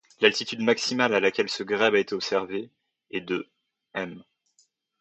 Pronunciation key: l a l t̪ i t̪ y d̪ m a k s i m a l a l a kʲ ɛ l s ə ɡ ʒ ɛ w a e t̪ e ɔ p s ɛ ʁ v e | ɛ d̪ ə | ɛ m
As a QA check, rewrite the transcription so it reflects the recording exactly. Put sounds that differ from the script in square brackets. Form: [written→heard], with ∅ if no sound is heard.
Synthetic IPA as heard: l a l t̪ i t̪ y d̪ m a k s i m a l a l a kʲ ɛ l s ə ɡ [ʒ→ʁ] ɛ [w→b] a e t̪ e ɔ p s ɛ ʁ v e | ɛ d̪ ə | ɛ m

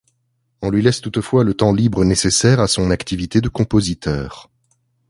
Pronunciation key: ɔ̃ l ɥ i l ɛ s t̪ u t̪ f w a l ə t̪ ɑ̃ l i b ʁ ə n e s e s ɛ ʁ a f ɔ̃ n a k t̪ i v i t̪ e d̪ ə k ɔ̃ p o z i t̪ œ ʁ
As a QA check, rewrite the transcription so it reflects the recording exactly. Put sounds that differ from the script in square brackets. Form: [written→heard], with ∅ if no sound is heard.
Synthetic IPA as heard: ɔ̃ l ɥ i l ɛ s t̪ u t̪ f w a l ə t̪ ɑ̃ l i b ʁ ə n e s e s ɛ ʁ a [f→s] ɔ̃ n a k t̪ i v i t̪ e d̪ ə k ɔ̃ p o z i t̪ [œ→œː] ʁ

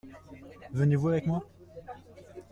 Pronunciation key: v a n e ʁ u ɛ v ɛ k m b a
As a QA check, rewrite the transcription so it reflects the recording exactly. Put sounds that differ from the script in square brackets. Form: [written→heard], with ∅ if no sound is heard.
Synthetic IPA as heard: v [a→ə] n e [ʁ→v] u [ɛ→a] v ɛ k m [b→w] a

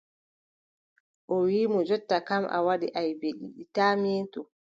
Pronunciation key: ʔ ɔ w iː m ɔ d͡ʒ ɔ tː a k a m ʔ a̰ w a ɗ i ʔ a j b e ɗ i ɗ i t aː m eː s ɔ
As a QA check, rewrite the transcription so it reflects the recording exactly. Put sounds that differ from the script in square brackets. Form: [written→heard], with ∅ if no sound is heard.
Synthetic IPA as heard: ʔ ɔ w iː m ɔ d͡ʒ ɔ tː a k a m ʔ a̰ w a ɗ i ʔ a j b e ɗ i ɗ i t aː m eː [s→t] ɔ

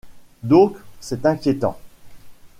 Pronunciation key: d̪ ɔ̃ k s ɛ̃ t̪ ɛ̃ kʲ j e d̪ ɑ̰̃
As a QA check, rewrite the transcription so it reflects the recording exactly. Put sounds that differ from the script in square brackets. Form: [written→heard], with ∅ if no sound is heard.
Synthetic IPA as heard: d̪ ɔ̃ k s [ɛ̃→ɛ] t̪ ɛ̃ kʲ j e [d̪→t̪] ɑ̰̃

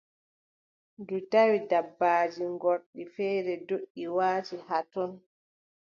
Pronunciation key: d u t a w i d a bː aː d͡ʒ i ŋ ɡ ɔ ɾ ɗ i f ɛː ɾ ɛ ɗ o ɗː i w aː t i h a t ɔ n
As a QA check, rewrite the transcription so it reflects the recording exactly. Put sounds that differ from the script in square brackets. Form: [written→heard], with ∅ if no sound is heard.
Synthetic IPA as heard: d u t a w i d a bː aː d͡ʒ i ŋ ɡ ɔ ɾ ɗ i f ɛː ɾ ɛ [ɗ→d] o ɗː i w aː t i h a t ɔ n

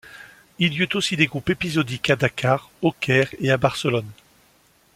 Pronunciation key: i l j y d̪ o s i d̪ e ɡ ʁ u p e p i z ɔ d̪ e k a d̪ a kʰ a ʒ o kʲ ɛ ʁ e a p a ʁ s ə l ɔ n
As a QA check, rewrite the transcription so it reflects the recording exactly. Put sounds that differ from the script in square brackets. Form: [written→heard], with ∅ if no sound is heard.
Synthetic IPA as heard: i l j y [d̪→t̪] o s i d̪ e ɡ ʁ u p e p i z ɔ d̪ [e→i] k a d̪ a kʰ a [ʒ→ʁ] o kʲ ɛ ʁ e a [p→b] a ʁ s ə l ɔ n

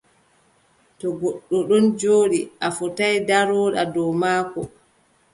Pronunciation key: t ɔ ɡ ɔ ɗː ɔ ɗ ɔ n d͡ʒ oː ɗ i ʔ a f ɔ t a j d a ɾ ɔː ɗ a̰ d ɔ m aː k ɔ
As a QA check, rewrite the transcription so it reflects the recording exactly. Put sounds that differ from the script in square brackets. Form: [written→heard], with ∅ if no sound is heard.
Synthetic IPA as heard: t ɔ ɡ ɔ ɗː ɔ ɗ ɔ n d͡ʒ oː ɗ i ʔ a f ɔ t a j d a ɾ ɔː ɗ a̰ d ɔ m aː k ɔ

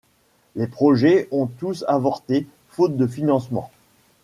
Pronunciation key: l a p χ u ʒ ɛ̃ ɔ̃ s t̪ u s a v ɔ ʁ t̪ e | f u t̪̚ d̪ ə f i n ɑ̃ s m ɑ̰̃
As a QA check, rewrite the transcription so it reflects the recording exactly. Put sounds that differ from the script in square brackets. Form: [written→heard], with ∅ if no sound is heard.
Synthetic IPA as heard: l [a→e] p χ [u→ɔ] ʒ [ɛ̃→ɛ] ɔ̃ [s→∅] t̪ u s a v ɔ ʁ t̪ e | f [u→o] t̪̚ d̪ ə f i n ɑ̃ s m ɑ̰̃

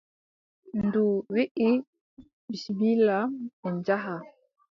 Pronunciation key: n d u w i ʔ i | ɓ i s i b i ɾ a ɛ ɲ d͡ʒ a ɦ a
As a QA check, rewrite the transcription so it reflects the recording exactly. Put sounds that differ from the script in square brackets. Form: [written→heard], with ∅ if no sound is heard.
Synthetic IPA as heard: n d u w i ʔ i | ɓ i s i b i [ɾ→l] a ɛ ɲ d͡ʒ a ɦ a

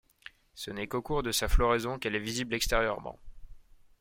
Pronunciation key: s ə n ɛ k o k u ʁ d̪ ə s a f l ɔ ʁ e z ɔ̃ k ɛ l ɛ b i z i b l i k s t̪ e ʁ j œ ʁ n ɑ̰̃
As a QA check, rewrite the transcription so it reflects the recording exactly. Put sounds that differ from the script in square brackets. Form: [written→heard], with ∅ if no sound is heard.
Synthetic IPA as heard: s ə n ɛ k o k u ʁ d̪ ə s a f l ɔ ʁ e z ɔ̃ k ɛ l ɛ [b→v] i z i b l [i→ɛ] k s t̪ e ʁ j œ ʁ [n→m] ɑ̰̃

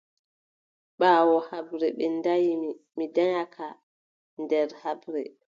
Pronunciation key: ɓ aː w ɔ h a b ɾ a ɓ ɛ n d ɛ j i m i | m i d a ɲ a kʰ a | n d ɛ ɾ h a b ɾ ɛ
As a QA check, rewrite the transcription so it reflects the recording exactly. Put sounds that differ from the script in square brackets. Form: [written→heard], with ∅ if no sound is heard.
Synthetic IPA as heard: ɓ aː w ɔ h a b ɾ [a→ɛ] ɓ ɛ n d [ɛ→a] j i m i | m i d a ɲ a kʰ a | n d ɛ ɾ h a b ɾ ɛ

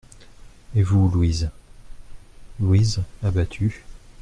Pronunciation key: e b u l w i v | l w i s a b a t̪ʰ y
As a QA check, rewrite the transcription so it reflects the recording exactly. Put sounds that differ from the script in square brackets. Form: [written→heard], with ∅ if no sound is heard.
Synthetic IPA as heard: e [b→v] u l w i [v→z] | l w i [s→z] a b a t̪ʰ y

